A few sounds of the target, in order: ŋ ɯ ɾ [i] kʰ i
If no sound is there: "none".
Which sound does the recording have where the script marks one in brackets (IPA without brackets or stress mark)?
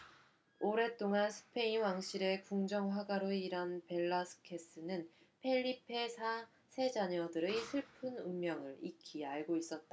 i